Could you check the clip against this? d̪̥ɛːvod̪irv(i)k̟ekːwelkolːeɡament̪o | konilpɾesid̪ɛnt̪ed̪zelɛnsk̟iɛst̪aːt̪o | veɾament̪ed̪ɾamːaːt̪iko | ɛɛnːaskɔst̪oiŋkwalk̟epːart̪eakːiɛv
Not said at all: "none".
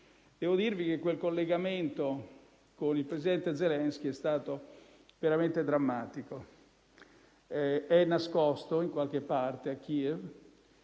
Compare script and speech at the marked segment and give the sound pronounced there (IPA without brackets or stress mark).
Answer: i